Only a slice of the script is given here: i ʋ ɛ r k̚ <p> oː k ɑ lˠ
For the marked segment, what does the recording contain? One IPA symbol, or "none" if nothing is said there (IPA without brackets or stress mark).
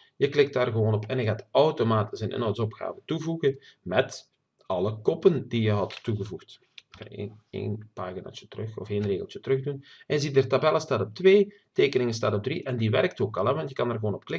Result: t